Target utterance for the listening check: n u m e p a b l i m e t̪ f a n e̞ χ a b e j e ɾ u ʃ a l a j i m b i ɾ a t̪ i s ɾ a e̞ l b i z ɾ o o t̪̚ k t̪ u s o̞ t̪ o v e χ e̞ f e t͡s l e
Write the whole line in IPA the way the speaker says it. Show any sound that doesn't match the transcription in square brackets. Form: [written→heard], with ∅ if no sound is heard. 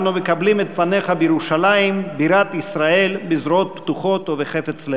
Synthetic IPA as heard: n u m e [p→k] a b l i m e t̪ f a n e̞ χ a b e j e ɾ u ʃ a l a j i m b i ɾ a t̪ i s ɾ a e̞ l b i z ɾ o o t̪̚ [k→p] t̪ u [s→χ] o̞ t̪ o v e χ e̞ f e t͡s l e